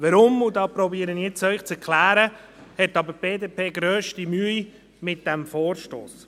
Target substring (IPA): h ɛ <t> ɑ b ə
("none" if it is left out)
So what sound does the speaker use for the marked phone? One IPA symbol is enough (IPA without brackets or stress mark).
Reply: t